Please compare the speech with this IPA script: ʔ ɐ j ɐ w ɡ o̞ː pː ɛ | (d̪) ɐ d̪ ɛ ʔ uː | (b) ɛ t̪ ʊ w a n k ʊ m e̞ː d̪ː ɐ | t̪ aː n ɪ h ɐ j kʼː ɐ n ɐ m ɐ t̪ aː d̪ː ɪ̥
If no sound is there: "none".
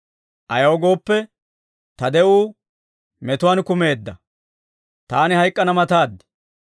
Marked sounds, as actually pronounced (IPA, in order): t̪, m

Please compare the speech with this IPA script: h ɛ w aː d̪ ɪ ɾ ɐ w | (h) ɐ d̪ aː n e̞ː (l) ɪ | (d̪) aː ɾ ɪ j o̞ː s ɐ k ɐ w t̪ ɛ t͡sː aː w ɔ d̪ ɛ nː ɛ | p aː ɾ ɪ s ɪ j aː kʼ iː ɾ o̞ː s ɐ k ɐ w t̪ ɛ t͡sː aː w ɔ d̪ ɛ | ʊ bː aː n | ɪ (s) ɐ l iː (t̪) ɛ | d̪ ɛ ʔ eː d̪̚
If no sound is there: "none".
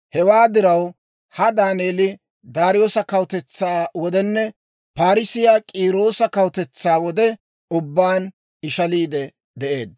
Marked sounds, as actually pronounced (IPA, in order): h, l, d̪, ʃ, d̪

